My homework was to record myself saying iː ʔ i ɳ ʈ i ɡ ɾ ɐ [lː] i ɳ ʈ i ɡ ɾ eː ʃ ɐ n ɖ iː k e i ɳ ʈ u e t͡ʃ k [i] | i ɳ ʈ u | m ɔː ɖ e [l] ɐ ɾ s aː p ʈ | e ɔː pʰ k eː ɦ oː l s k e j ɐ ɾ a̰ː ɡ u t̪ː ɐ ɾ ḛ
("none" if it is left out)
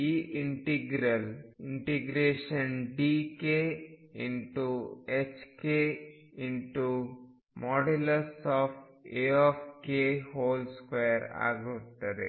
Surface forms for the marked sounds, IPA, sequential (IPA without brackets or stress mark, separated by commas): l, e, l